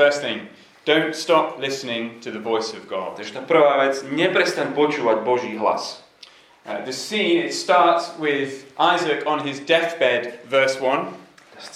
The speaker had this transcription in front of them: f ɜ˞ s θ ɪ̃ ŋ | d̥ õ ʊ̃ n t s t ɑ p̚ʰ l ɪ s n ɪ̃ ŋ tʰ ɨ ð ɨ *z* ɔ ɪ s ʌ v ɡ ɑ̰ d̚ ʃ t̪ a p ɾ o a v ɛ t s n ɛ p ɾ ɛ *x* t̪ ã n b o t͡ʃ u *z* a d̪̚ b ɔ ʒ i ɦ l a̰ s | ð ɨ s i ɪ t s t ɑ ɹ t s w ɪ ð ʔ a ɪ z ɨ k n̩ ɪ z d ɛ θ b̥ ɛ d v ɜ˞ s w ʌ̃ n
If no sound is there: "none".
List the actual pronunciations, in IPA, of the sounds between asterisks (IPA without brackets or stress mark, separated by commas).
v, s, none